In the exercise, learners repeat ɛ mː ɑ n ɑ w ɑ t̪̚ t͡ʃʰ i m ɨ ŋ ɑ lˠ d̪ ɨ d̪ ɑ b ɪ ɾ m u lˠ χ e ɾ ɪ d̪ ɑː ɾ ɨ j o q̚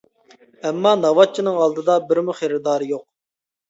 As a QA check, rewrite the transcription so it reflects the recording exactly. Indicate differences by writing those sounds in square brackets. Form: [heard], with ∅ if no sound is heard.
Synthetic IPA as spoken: ɛ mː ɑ n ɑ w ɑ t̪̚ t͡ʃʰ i [n] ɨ ŋ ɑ lˠ d̪ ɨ d̪ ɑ b ɪ ɾ m u [∅] χ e ɾ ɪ d̪ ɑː ɾ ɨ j o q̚